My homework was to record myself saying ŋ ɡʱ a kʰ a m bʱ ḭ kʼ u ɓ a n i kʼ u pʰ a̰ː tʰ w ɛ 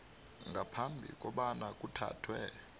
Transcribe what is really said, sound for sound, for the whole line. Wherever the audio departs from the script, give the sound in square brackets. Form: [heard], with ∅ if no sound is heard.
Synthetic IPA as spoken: ŋ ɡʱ a [pʰ] a m bʱ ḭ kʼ [ɔ] ɓ a n [a] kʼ u [tʰ] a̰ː tʰ w ɛ